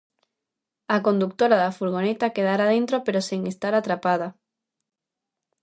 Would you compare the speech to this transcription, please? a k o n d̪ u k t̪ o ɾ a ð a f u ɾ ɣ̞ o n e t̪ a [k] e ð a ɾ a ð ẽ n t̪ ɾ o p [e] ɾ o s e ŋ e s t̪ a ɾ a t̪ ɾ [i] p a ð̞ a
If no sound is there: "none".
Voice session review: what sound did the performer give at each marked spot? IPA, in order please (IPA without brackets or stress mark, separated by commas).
k, e, a